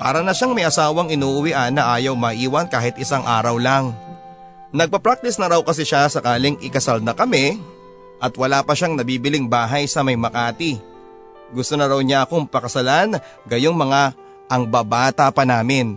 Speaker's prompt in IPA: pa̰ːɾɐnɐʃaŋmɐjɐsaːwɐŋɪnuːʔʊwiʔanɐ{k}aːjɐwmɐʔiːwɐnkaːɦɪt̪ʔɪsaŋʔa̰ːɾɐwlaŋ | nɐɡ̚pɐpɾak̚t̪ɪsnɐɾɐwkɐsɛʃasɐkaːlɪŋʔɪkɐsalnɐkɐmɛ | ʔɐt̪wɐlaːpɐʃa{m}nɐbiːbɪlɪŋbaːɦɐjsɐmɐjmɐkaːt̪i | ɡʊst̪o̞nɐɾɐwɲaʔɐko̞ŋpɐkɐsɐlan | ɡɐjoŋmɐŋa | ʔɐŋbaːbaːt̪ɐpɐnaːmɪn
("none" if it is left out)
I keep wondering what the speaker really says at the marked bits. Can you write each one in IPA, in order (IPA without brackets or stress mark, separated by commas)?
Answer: ʔ, ŋ